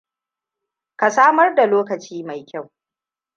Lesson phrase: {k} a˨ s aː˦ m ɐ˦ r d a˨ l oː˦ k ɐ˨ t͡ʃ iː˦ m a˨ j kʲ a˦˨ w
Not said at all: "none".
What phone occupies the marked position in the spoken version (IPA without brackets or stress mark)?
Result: k